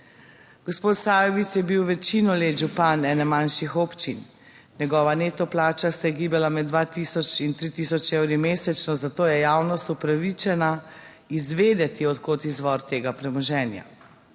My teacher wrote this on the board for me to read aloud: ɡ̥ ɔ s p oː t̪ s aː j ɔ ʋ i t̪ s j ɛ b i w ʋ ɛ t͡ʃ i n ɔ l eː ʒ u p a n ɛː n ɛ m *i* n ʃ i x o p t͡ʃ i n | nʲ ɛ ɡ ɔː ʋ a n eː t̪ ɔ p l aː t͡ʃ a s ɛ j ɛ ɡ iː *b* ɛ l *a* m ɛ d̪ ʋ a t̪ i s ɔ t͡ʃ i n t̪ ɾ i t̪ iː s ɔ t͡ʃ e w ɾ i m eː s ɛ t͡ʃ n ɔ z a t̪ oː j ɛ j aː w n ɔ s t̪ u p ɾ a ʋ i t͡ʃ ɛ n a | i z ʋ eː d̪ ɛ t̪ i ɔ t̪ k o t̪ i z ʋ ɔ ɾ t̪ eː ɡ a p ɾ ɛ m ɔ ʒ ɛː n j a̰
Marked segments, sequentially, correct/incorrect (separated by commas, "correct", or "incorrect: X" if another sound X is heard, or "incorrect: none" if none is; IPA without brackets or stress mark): incorrect: a, correct, correct